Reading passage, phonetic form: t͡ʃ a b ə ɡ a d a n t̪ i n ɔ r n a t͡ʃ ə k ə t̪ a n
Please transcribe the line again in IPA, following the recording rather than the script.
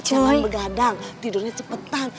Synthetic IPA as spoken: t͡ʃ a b ə ɡ a d a ŋ t̪ i d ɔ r ɲ a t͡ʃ ə p ə t̪ a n